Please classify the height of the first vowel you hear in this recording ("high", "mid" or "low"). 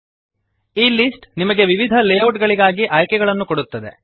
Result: high